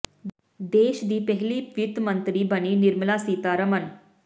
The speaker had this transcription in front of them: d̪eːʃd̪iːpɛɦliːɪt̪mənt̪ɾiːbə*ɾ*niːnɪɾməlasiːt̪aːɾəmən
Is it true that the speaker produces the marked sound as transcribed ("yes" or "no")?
no